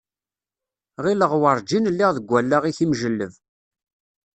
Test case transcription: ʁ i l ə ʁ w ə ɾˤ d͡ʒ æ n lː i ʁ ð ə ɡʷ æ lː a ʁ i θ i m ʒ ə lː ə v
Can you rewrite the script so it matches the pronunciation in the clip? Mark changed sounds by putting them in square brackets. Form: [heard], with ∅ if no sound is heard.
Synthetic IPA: ʁ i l ə ʁ w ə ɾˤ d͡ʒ [i] n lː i ʁ ð ə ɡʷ æ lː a ʁ i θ i m ʒ ə lː ə v